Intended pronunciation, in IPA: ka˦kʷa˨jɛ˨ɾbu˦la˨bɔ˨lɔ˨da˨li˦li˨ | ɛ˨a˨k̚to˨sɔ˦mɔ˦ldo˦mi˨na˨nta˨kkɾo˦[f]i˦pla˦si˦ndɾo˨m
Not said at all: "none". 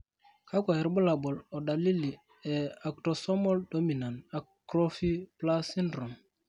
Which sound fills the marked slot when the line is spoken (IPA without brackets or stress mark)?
f